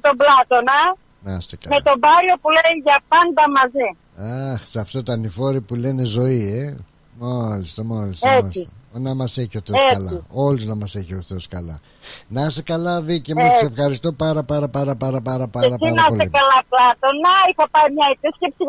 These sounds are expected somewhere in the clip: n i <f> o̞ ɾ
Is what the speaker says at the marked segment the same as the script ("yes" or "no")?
yes